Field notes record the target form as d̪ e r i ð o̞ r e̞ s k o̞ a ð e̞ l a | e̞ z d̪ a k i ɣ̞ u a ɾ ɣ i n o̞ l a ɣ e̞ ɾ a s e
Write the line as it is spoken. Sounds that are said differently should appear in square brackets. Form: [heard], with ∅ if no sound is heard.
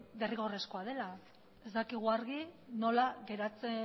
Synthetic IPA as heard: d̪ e r i [ɣ] o̞ r e̞ s k o̞ a ð e̞ l a | e̞ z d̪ a k i ɣ̞ u a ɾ ɣ i n o̞ l a ɣ e̞ ɾ a [t͡s] e